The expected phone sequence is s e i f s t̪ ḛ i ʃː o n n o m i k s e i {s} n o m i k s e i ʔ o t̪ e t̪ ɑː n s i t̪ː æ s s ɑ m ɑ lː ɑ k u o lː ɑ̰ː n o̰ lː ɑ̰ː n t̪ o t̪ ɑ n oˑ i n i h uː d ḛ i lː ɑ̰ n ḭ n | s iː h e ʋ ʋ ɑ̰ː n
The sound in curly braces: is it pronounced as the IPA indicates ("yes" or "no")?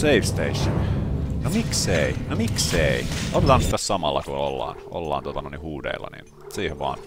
no